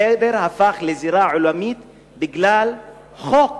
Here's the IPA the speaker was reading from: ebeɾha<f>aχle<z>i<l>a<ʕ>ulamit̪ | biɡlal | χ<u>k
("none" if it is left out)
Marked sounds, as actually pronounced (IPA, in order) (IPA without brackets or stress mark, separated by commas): f, z, ɾ, ʕ, o